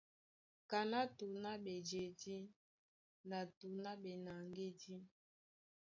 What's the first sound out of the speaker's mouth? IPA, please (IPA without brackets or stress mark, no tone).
k